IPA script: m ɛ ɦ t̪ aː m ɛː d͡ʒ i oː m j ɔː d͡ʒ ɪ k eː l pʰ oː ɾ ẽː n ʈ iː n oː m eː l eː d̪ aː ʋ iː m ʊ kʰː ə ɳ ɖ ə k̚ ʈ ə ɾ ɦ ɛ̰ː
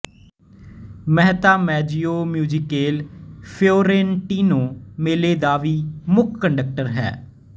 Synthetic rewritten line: m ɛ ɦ t̪ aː m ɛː d͡ʒ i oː m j uː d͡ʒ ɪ k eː l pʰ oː ɾ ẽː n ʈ iː n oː m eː l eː d̪ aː ʋ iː m ʊ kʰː ə ɳ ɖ ə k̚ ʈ ə ɾ ɦ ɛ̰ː